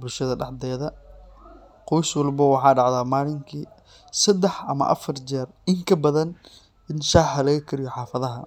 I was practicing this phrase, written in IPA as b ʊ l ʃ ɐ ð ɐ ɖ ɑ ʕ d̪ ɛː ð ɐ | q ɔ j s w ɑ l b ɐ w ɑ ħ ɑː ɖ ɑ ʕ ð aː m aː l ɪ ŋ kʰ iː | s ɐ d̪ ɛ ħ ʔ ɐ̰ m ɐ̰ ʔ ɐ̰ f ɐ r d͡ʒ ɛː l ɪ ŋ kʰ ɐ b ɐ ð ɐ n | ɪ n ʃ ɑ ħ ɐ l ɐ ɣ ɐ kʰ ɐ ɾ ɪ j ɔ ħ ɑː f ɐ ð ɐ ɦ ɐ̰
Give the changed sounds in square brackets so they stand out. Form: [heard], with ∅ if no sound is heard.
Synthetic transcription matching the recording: b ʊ l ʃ ɐ ð ɐ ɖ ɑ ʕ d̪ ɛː ð ɐ | q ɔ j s w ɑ l b ɐ w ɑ ħ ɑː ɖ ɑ ʕ ð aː m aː l ɪ ŋ kʰ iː | s ɐ d̪ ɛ ħ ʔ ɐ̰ m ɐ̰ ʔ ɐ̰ f ɐ r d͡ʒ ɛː [r] ɪ ŋ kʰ ɐ b ɐ ð ɐ n | ɪ n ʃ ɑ ħ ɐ l ɐ ɣ ɐ kʰ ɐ ɾ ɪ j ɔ ħ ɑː f ɐ ð ɐ ɦ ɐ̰